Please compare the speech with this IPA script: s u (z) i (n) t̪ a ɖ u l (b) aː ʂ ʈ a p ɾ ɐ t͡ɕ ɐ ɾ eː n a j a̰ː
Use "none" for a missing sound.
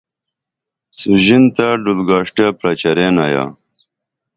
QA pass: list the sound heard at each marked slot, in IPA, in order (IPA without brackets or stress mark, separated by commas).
ʑ, n, ɡ